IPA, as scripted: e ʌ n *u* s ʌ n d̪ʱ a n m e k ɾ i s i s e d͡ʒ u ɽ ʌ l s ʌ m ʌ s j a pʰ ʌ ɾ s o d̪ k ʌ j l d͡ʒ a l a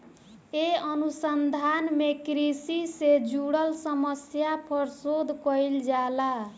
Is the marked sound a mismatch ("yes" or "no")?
no